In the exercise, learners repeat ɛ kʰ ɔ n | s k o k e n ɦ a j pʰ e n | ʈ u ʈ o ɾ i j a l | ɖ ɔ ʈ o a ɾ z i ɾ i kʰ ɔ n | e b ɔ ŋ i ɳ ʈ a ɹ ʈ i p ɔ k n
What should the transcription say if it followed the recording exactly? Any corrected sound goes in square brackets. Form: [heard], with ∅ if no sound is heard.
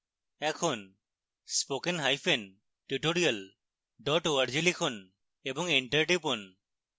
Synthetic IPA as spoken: ɛ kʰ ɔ n | s [p] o k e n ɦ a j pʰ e n | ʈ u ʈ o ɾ i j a l | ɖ ɔ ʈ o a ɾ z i [l] i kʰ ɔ n | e b ɔ ŋ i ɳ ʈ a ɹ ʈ i p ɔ [∅] n